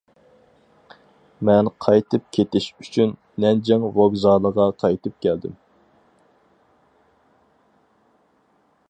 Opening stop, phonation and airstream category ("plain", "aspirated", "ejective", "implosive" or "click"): aspirated